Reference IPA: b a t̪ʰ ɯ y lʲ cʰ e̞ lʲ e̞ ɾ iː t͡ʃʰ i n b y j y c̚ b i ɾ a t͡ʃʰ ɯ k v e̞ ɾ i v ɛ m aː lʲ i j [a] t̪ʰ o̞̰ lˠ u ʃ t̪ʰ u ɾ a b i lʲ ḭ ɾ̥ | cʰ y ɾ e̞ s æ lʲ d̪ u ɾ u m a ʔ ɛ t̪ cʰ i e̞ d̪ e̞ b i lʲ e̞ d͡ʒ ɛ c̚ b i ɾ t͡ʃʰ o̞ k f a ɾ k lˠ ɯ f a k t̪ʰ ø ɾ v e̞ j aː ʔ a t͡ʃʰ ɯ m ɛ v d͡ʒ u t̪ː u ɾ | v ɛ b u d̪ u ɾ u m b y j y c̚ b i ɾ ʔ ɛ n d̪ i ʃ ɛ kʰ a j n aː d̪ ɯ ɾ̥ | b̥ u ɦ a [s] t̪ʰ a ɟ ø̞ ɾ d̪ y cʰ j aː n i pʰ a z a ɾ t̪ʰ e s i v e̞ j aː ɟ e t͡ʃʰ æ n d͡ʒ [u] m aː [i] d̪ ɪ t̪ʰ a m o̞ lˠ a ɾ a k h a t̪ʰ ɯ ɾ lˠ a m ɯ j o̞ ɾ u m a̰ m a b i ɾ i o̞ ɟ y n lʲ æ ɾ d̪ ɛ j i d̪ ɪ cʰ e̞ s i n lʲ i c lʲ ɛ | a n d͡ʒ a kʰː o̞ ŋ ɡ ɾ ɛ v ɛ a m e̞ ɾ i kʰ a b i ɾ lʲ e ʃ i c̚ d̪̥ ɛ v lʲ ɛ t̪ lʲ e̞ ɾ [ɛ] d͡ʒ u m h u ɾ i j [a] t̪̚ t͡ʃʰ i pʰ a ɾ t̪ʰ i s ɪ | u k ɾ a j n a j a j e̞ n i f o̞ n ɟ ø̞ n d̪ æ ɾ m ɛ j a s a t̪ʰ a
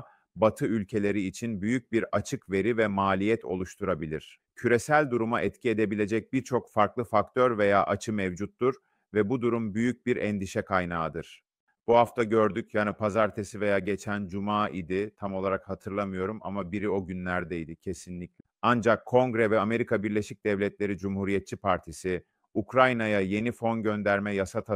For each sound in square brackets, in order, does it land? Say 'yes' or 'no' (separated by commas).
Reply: no, no, yes, yes, no, no